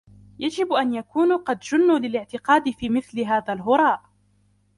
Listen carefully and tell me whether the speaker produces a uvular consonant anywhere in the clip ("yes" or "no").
yes